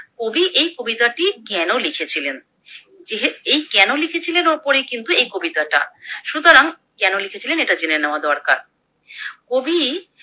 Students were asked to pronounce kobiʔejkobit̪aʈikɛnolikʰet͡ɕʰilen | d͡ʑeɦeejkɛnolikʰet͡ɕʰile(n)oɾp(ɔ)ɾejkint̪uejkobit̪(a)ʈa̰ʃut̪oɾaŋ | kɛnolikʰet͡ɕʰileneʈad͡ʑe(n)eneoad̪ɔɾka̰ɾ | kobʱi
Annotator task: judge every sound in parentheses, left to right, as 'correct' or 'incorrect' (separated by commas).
correct, incorrect, correct, correct